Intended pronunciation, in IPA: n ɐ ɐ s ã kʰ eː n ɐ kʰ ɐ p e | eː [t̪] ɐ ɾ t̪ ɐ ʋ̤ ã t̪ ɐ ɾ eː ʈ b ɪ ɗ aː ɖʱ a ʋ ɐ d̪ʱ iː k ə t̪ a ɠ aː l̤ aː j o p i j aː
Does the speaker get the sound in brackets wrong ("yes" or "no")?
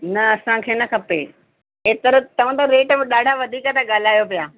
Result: no